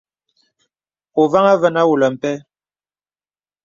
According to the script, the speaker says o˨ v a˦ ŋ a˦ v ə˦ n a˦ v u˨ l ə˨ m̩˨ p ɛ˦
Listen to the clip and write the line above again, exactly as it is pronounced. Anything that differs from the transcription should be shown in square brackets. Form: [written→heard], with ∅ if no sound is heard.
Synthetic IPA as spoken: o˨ v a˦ ŋ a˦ v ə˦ n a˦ [v→w] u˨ l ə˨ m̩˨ p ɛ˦